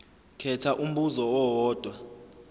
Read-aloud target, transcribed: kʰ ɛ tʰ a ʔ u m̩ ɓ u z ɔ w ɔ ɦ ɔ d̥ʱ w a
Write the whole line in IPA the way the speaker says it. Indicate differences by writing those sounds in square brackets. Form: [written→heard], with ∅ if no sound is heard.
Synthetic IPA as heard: kʰ ɛ tʰ a ʔ u m̩ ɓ u z ɔ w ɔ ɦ [ɔ→ɔː] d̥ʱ w a